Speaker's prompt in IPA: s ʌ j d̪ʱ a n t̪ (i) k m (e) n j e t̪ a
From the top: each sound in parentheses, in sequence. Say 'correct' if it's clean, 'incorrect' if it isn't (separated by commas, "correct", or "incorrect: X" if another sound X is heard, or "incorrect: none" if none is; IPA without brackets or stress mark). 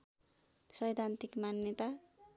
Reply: correct, incorrect: a